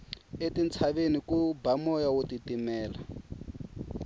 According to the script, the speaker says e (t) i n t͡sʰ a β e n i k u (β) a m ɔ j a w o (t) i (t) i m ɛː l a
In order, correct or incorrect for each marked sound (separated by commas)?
correct, incorrect, correct, correct